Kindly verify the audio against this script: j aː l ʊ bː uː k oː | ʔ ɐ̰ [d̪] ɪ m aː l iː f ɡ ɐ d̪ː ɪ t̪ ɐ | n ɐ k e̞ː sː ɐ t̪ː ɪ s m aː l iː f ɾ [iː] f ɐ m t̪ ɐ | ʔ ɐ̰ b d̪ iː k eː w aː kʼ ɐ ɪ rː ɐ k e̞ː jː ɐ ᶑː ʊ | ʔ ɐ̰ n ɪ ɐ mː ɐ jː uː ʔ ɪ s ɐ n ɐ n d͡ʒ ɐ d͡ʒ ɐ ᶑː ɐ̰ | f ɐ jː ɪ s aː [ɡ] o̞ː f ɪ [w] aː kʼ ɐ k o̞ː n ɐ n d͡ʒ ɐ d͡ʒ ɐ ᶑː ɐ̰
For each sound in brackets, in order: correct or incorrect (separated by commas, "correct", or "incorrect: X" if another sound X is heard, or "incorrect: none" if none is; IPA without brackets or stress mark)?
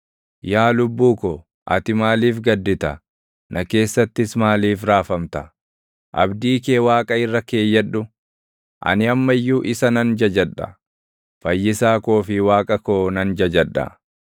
incorrect: t̪, incorrect: aː, incorrect: k, correct